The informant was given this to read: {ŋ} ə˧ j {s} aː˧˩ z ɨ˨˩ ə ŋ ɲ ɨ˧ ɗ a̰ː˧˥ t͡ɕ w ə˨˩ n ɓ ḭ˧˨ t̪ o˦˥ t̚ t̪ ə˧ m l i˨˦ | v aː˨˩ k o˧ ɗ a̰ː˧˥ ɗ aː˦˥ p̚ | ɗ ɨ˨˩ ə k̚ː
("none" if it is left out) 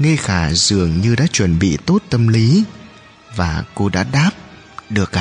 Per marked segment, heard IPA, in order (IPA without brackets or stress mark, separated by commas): ŋ, x